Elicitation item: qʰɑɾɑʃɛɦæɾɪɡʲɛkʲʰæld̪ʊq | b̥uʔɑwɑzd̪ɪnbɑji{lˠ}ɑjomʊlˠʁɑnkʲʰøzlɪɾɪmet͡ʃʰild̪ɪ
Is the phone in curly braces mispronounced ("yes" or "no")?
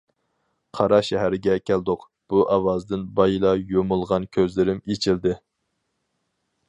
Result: no